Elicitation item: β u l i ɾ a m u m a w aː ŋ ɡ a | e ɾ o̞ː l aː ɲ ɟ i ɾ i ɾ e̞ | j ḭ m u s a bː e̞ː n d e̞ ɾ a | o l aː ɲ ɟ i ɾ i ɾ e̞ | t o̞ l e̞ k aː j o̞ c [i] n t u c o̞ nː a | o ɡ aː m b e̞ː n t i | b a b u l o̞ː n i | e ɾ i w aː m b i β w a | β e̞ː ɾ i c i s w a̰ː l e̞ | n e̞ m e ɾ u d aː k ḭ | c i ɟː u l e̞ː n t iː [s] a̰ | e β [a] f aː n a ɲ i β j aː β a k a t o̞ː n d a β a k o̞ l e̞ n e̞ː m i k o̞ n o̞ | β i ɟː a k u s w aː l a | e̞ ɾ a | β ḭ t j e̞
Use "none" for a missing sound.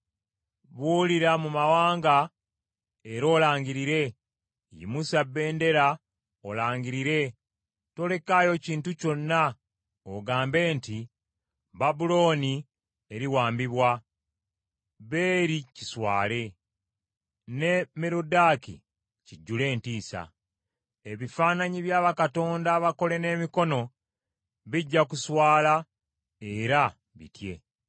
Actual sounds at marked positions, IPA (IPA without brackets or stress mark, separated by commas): iː, s, i